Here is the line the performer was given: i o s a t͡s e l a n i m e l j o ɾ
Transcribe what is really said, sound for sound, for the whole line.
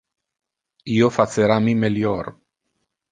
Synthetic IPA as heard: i o f a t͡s e ɾ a m i m e l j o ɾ

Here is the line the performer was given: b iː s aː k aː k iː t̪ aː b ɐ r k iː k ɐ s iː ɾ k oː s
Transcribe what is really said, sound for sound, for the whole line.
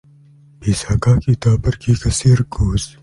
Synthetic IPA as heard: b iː s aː k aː k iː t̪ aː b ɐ ɾ k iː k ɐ s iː ɾ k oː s

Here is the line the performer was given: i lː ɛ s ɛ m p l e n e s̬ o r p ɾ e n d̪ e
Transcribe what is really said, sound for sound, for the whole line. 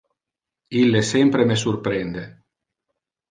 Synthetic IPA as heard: i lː e s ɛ m p ɾ e m e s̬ u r p ɾ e n d̪ e

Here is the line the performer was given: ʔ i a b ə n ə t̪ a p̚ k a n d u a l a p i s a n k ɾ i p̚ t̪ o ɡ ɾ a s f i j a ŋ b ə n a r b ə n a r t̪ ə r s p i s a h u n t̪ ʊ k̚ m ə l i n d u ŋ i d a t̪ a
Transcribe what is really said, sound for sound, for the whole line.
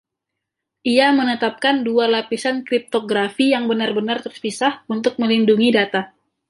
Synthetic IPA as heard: ʔ i a m ə n ə t̪ a p̚ k a n d u a l a p i s a n k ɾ i p̚ t̪ o ɡ ɾ a f i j a ŋ b ə n a r b ə n a r t̪ ə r s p i s a h u n t̪ ʊ k̚ m ə l i n d u ŋ i d a t̪ a

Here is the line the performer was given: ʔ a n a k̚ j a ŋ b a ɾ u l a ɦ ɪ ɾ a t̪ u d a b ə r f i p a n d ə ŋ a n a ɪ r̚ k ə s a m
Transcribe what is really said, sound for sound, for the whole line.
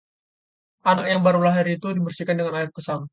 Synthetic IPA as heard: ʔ a n a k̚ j a ŋ b a ɾ u l a ɦ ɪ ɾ i t̪ u d i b ə r s i k a n d ə ŋ a n a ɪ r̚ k ə s a m

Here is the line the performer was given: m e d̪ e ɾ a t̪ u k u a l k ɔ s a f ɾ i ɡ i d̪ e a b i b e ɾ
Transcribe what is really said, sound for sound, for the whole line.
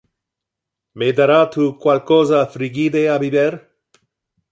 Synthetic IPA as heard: m e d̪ a ɾ a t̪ u k w a l k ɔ z a f ɾ i ɡ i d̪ e a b i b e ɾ

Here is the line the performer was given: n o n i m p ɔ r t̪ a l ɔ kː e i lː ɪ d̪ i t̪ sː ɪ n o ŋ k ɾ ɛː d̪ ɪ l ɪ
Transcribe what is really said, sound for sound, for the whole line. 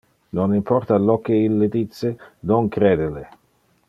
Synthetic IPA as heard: n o n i m p ɔ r t̪ a l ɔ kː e i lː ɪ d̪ i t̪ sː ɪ n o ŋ k ɾ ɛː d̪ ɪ l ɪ

